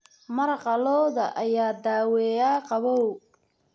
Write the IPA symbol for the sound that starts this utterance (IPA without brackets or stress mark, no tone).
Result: m